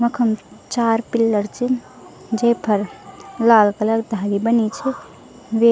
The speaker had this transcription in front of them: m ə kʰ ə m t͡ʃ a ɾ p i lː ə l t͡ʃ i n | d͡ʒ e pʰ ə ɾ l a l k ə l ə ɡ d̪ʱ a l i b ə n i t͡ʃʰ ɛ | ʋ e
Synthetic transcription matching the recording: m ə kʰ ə m t͡ʃ a ɾ p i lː ə ɾ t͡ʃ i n | d͡ʒ e pʰ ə ɾ l a l k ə l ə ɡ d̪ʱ a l i b ə n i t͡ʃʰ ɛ | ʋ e